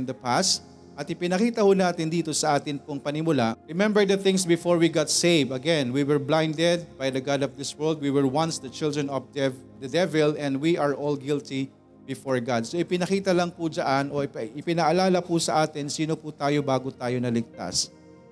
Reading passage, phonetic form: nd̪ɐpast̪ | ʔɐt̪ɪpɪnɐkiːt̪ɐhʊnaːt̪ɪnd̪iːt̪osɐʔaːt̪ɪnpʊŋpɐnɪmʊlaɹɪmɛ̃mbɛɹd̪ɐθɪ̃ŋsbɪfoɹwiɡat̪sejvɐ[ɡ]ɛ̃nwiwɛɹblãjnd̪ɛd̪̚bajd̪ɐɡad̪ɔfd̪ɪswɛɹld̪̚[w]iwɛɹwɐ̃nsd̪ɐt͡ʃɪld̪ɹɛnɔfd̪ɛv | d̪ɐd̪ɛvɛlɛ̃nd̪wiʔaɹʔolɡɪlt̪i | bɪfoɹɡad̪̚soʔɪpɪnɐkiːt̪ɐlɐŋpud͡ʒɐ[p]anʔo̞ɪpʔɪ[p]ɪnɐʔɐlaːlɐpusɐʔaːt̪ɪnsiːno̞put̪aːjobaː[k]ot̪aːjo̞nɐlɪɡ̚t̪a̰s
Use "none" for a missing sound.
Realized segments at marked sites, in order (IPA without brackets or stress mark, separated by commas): ɡ, w, ʔ, p, ɡ